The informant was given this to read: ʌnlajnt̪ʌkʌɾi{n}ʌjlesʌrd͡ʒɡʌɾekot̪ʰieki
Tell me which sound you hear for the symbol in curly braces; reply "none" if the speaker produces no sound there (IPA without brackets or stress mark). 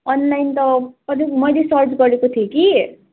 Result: m